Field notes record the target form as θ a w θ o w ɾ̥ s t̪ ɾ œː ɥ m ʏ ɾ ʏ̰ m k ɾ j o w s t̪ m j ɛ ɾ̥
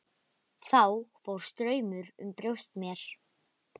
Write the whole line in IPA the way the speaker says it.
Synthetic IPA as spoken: θ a w f o w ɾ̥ s t̪ ɾ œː ɥ m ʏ ɾ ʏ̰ m p ɾ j o w s t̪ m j ɛ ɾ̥